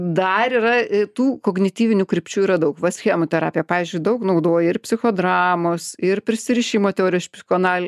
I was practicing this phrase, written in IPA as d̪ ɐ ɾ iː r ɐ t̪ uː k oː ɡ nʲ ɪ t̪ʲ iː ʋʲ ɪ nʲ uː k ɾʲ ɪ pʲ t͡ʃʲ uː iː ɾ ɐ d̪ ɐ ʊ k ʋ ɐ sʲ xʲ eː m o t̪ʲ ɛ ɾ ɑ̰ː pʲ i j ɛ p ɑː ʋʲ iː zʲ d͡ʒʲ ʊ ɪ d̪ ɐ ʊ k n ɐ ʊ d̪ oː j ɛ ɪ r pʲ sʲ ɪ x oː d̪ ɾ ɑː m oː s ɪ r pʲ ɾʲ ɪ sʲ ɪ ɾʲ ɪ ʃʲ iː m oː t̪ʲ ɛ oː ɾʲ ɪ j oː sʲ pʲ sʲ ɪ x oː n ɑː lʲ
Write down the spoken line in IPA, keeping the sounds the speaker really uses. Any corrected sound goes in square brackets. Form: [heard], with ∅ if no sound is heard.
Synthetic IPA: d̪ ɐ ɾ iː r ɐ t̪ uː k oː ɡ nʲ ɪ t̪ʲ iː ʋʲ ɪ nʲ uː k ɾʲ ɪ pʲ t͡ʃʲ uː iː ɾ ɐ d̪ ɐ ʊ k ʋ ɐ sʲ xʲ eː m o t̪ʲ ɛ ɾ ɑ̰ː pʲ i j ɛ p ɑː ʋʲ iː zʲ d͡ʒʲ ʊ ɪ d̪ ɐ ʊ k n ɐ ʊ d̪ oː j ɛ ɪ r pʲ sʲ ɪ x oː d̪ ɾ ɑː m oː s ɪ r pʲ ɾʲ ɪ sʲ ɪ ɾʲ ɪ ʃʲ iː m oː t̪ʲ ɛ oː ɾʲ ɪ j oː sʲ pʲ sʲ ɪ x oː n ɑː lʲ

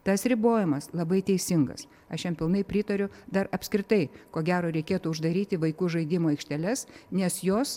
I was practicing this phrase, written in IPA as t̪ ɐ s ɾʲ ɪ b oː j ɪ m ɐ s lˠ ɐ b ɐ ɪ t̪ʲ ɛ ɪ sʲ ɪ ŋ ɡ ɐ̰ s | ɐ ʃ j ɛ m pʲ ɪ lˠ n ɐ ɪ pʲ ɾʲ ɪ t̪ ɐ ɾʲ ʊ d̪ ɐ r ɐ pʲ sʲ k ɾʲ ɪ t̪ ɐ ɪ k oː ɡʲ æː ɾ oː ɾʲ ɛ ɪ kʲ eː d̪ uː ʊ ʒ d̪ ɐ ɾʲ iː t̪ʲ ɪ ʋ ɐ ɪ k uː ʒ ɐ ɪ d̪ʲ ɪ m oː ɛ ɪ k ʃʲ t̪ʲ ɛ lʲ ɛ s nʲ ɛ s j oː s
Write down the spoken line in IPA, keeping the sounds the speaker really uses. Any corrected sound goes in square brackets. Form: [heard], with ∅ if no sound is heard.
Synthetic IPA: t̪ ɐ s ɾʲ ɪ b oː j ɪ m ɐ s lˠ ɐ b ɐ ɪ t̪ʲ ɛ ɪ sʲ ɪ ŋ ɡ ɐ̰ s | ɐ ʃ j ɛ m pʲ ɪ lˠ n ɐ ɪ pʲ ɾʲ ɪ t̪ ɐ ɾʲ ʊ d̪ ɐ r ɐ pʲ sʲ k ɾʲ ɪ t̪ ɐ ɪ k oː ɡʲ æː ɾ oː ɾʲ ɛ ɪ kʲ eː [t̪] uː ʊ ʒ d̪ ɐ ɾʲ iː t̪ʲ ɪ ʋ ɐ ɪ k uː ʒ ɐ ɪ d̪ʲ ɪ m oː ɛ ɪ k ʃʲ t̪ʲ ɛ lʲ ɛ s nʲ ɛ s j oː s

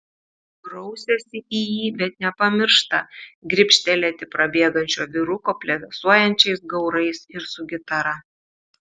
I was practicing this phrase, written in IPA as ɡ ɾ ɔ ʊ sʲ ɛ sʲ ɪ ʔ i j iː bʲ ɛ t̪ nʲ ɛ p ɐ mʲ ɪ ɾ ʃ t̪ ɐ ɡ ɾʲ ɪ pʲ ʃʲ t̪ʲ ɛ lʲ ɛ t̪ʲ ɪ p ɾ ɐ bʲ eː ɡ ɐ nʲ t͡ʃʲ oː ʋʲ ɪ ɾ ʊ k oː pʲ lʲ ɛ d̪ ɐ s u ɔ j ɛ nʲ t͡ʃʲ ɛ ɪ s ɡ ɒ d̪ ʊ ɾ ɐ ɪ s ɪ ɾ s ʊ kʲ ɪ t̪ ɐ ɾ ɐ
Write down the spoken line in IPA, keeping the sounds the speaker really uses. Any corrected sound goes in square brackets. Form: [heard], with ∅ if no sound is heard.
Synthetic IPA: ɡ ɾ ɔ ʊ sʲ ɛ sʲ ɪ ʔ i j iː bʲ ɛ t̪ nʲ ɛ p ɐ mʲ ɪ ɾ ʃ t̪ ɐ ɡ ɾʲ ɪ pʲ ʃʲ t̪ʲ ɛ lʲ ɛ t̪ʲ ɪ p ɾ ɐ bʲ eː ɡ ɐ nʲ t͡ʃʲ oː ʋʲ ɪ ɾ ʊ k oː pʲ lʲ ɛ d̪ ɐ s u ɔ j ɛ nʲ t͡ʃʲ ɛ ɪ s ɡ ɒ [∅] ʊ ɾ ɐ ɪ s ɪ ɾ s ʊ [ɡʲ] ɪ t̪ ɐ ɾ ɐ

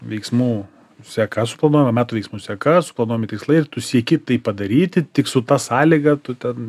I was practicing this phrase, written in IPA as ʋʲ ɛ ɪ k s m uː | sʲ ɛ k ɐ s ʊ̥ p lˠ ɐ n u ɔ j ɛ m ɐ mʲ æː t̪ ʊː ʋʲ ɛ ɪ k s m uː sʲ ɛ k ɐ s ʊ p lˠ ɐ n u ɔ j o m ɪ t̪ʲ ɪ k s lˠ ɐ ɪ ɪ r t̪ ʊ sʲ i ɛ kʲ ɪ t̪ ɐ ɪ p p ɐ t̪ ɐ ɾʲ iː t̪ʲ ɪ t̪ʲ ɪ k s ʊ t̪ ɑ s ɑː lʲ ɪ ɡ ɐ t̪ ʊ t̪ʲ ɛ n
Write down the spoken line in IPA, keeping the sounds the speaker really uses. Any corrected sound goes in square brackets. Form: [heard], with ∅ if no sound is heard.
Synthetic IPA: ʋʲ ɛ ɪ k s m uː | sʲ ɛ k ɐ s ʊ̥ p lˠ ɐ n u ɔ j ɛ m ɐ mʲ æː t̪ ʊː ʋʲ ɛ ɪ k s m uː sʲ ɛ k ɐ s ʊ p lˠ ɐ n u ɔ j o m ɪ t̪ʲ ɪ k s lˠ ɐ ɪ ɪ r t̪ ʊ sʲ i ɛ kʲ ɪ t̪ ɐ ɪ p p ɐ [d̪] ɐ ɾʲ iː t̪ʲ ɪ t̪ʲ ɪ k s ʊ t̪ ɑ s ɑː lʲ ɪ ɡ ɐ t̪ ʊ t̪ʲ ɛ n

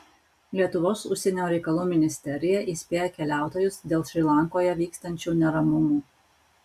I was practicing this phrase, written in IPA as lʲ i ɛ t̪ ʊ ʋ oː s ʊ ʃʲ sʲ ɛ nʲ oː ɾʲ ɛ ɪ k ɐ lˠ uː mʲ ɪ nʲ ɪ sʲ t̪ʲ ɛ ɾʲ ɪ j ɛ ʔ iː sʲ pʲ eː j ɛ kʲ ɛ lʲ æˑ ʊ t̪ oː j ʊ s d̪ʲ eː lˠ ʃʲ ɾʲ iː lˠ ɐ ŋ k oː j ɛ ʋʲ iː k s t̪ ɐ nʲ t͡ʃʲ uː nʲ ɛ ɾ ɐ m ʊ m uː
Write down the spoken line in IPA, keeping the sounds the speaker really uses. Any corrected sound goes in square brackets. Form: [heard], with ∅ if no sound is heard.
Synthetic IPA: lʲ i ɛ t̪ ʊ ʋ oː s ʊ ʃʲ sʲ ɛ nʲ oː ɾʲ ɛ ɪ k ɐ lˠ uː mʲ ɪ nʲ ɪ sʲ t̪ʲ ɛ ɾʲ ɪ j ɛ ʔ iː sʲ pʲ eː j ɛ kʲ ɛ lʲ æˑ ʊ t̪ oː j ʊ s d̪ʲ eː lˠ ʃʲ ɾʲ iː lˠ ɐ ŋ k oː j ɛ ʋʲ iː k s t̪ ɐ nʲ t͡ʃʲ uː nʲ ɛ ɾ ɐ m ʊ m uː

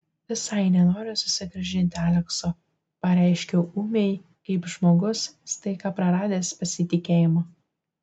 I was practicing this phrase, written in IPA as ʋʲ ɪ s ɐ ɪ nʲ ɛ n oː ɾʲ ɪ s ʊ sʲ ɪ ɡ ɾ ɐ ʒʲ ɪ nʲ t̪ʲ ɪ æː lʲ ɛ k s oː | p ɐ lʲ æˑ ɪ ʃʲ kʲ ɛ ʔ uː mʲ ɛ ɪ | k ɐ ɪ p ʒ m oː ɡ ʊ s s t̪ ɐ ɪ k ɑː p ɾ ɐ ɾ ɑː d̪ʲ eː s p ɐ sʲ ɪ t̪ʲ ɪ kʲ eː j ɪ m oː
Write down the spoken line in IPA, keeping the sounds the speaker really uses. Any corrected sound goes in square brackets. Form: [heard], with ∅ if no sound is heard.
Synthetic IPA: ʋʲ ɪ s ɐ ɪ nʲ ɛ n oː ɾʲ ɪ s ʊ sʲ ɪ ɡ ɾ ɐ ʒʲ ɪ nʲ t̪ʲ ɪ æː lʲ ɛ k s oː | p ɐ [ɾʲ] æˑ ɪ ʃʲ kʲ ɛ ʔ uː mʲ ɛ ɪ | k ɐ ɪ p ʒ m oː ɡ ʊ s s t̪ ɐ ɪ k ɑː p ɾ ɐ ɾ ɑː d̪ʲ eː s p ɐ sʲ ɪ t̪ʲ ɪ kʲ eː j ɪ m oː

